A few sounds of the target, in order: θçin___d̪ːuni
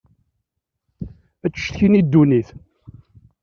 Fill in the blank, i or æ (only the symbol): i